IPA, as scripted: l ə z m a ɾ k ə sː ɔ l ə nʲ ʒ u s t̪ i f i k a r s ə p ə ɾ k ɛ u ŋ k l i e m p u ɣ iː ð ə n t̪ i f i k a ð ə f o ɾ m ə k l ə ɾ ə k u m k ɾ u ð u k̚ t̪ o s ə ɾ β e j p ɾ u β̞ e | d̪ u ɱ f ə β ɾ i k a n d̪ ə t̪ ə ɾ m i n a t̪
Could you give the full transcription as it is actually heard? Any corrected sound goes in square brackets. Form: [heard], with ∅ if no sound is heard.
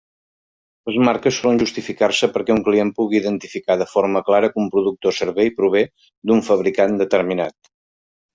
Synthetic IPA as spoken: l ə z m a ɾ k ə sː ɔ l ə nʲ ʒ u s t̪ i f i k a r s ə p ə ɾ k ɛ u ŋ k l i e m p u ɣ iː ð ə n t̪ i f i k a ð ə f o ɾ m ə k l [a] ɾ ə k u m [p] ɾ u ð u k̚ t̪ o s ə ɾ β e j p ɾ u β̞ e | d̪ u ɱ f ə β ɾ i k a n d̪ ə t̪ ə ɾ m i n a t̪